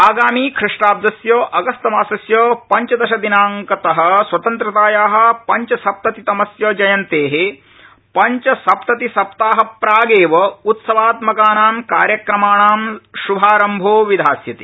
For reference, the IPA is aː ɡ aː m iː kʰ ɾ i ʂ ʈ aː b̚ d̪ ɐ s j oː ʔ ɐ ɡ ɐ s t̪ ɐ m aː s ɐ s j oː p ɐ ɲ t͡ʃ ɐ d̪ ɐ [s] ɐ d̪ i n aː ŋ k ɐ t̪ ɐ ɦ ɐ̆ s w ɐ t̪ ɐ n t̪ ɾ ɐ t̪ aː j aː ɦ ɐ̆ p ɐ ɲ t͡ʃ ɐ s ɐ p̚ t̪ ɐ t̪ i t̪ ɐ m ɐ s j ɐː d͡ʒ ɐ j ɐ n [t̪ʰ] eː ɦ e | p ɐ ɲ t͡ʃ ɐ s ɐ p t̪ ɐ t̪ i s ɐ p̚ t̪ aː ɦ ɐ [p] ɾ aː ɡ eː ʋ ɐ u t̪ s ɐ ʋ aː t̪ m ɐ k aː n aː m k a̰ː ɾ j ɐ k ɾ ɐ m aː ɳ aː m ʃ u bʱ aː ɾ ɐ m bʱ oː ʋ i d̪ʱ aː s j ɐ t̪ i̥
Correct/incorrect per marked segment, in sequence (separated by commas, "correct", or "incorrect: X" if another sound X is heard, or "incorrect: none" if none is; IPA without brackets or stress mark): incorrect: ʃ, incorrect: t̪, correct